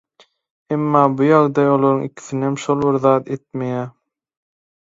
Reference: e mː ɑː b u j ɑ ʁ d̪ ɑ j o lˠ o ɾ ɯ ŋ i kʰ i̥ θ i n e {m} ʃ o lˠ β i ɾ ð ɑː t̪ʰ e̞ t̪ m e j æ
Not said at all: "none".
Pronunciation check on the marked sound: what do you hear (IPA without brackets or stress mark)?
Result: m